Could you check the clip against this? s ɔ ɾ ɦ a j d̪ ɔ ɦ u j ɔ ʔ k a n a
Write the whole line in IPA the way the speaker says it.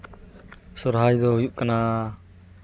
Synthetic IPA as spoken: s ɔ ɾ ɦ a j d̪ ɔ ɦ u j u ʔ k a n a